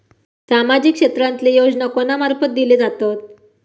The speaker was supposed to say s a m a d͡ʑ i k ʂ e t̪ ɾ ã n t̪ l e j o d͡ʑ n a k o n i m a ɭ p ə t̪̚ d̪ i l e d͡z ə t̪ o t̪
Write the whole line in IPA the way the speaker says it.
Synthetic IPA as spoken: s a m a d͡ʑ i k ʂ e t̪ ɾ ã n t̪ l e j o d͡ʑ n a k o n a m a ɾ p ə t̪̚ d̪ i l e d͡z a t̪ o t̪